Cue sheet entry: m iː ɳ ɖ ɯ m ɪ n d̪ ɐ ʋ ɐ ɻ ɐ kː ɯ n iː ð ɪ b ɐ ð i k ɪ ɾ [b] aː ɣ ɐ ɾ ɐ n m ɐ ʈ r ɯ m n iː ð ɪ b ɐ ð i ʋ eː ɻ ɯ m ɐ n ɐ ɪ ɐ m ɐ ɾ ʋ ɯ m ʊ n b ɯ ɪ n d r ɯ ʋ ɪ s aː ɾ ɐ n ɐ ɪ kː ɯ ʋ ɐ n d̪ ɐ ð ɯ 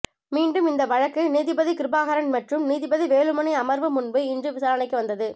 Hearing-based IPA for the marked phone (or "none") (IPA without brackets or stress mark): b